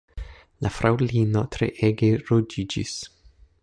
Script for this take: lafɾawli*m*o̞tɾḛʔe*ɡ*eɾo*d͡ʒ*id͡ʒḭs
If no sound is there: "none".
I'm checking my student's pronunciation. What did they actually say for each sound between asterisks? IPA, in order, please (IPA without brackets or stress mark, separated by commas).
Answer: n, ɡ, d͡ʒ